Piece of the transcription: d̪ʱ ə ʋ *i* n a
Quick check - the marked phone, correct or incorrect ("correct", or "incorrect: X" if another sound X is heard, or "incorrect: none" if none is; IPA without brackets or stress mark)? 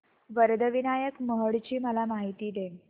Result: correct